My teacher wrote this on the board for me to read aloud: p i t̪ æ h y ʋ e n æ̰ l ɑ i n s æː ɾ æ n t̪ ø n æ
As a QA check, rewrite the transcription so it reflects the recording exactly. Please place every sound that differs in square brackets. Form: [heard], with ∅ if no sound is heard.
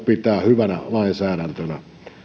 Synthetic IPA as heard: p i t̪ [æː] h y ʋ [æ] n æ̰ l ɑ i n s æː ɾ æ n t̪ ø n æ